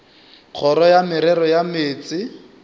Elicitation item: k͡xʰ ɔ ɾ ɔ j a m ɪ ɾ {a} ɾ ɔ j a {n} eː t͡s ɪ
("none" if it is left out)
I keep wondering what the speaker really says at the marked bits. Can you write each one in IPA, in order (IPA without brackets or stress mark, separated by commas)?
ɛ, m